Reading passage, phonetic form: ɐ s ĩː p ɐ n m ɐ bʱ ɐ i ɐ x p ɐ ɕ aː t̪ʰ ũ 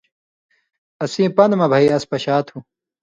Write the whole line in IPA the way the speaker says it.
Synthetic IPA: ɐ s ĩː p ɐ n m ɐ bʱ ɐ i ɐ s p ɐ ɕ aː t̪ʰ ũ